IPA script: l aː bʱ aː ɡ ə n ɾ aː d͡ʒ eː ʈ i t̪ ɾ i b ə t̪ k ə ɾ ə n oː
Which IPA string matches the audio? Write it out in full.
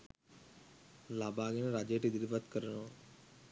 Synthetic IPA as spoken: l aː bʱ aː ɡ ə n ɾ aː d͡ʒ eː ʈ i d̪ ɾ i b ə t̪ k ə ɾ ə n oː

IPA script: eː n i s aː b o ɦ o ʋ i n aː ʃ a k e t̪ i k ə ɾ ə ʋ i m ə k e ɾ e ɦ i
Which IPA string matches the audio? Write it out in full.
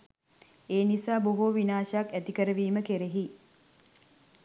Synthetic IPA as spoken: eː n i s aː b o ɦ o ʋ i n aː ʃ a k æ t̪ i k ə ɾ ə ʋ iː m ə k e ɾ e ɦ i

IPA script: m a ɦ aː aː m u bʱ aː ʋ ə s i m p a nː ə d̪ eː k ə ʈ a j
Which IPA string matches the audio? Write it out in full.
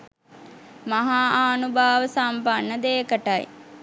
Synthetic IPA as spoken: m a ɦ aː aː n u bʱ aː ʋ ə s a m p a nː ə d̪ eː k ə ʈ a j

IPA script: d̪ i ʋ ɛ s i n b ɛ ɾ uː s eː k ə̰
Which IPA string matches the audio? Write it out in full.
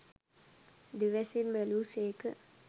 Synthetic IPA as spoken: d̪ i ʋ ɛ s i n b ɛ l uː s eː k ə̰

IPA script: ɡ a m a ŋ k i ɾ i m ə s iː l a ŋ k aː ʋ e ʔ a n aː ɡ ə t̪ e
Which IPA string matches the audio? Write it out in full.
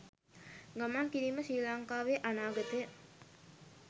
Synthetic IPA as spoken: ɡ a m a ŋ k i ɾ i m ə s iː l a ŋ k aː ʋ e ʔ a n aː ɡ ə t̪ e

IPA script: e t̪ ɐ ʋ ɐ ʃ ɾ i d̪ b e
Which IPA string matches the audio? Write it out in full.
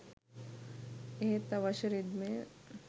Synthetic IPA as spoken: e t̪ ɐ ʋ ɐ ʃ ɾ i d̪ m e

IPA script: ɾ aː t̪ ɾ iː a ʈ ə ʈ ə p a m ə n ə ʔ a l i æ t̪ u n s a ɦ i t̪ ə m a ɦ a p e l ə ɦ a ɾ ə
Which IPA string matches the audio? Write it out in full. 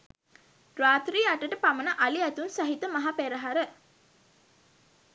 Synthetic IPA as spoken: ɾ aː t̪ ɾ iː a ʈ ə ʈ ə p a m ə n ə ʔ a l i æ t̪ u n s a ɦ i t̪ ə m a ɦ a p e ɾ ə ɦ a ɾ ə

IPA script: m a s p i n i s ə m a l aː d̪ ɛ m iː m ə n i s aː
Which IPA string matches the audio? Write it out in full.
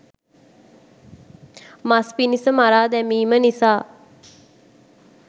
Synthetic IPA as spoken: m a s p i n i s ə m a ɾ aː d̪ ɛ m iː m ə n i s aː

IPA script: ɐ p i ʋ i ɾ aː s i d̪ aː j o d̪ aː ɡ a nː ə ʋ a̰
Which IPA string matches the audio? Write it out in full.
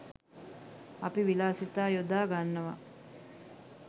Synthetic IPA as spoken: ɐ p i ʋ i l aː s i t̪ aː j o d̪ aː ɡ a nː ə ʋ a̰

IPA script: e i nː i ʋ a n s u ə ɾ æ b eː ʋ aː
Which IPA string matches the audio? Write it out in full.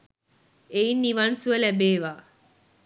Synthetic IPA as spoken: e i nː i ʋ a n s u ə l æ b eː ʋ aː

